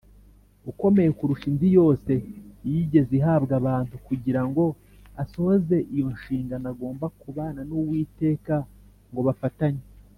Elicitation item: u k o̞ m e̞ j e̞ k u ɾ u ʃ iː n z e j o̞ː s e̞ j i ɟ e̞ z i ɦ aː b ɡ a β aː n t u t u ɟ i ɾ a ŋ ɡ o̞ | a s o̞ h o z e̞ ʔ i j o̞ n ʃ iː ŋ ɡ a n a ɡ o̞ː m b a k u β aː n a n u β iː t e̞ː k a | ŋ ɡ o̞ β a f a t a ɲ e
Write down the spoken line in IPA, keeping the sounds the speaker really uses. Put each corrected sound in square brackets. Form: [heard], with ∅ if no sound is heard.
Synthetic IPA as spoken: u k o̞ m e̞ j e̞ k u ɾ u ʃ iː n z [i] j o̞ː s e̞ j i ɟ e̞ z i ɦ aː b ɡ a β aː n t u [k] u ɟ i ɾ a ŋ ɡ o̞ | a s o̞ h o z e̞ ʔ i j o̞ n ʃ iː ŋ ɡ a n a ɡ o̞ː m b a k u β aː n a n u [w] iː t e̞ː k a | ŋ ɡ o̞ β a f a t a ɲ e